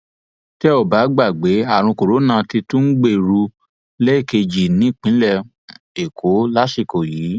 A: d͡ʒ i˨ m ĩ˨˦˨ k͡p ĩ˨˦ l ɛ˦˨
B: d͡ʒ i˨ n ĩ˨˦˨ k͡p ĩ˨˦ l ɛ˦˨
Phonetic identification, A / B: B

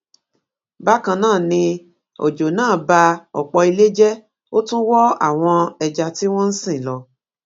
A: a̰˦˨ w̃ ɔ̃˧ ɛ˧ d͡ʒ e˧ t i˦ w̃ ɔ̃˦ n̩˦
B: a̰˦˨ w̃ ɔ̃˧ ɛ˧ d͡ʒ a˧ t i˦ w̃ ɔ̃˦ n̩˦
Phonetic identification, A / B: B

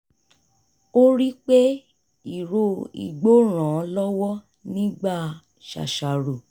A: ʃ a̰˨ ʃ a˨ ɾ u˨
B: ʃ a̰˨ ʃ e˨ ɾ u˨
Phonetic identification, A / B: A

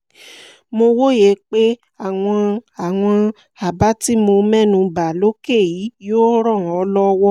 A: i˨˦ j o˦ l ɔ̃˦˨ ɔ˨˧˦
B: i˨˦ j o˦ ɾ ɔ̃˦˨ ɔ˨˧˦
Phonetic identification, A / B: B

